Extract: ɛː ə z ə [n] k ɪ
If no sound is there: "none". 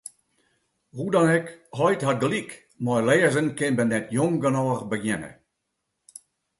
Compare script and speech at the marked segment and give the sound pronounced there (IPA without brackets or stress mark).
n